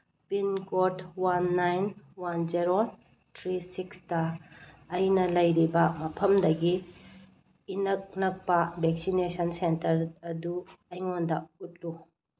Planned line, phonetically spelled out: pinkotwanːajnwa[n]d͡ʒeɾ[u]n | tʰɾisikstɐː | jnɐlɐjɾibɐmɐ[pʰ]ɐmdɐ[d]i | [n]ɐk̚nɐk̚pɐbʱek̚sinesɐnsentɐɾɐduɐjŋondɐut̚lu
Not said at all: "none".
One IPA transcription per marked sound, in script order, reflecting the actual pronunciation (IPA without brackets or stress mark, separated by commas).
n, o, pʰ, ɡ, n